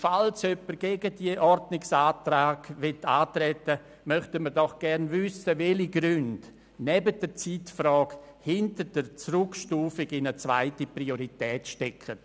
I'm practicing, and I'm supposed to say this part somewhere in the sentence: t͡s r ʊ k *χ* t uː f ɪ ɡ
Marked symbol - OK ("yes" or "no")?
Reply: no